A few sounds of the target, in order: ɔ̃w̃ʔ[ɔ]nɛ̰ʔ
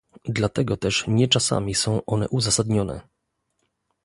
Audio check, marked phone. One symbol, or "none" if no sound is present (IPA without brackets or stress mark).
ɔ